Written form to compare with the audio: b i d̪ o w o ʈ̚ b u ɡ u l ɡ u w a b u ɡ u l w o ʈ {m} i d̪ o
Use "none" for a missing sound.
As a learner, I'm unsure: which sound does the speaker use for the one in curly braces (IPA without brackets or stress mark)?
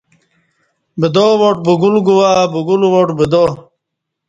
b